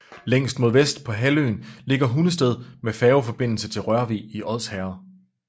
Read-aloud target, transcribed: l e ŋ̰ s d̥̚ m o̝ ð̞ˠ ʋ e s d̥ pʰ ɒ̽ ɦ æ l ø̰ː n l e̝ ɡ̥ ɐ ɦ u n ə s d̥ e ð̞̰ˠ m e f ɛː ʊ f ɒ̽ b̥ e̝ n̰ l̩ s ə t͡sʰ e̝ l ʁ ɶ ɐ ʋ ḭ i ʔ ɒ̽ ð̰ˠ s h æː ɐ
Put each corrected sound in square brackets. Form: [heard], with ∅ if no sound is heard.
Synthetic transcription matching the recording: l e ŋ̰ s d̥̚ m o̝ ð̞ˠ ʋ e s d̥ pʰ ɒ̽ ɦ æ l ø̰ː n l e̝ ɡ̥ ɐ ɦ u n ə s d̥ e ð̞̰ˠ m e f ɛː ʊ f ɒ̽ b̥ e̝ n̰ l̩ s ə t͡sʰ e̝ l ʁ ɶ ɐ ʋ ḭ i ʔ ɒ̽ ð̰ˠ s h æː ɐ